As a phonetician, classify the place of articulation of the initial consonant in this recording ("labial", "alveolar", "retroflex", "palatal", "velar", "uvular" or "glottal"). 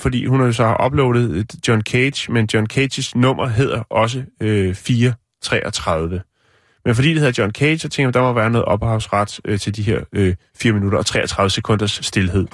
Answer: labial